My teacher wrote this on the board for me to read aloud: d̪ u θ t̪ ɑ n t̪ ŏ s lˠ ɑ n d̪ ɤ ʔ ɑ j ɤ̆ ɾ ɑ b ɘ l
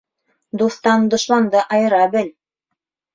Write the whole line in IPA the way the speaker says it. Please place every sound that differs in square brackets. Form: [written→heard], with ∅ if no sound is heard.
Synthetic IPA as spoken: d̪ u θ t̪ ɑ n [t̪→d̪] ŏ [s→ʃ] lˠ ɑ n d̪ ɤ ʔ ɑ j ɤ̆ ɾ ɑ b ɘ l